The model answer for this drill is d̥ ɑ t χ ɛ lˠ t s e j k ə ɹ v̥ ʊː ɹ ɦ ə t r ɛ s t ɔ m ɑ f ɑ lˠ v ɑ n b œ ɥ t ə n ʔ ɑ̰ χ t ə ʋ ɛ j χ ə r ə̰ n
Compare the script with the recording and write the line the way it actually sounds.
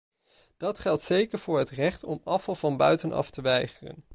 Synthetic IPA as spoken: d̥ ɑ t χ ɛ lˠ t s e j k ə ɹ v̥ ʊː ɹ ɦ ə t r ɛ χ t ɔ m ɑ f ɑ lˠ v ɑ n b œ ɥ t ə n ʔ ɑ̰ f t ə ʋ ɛ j χ ə r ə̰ n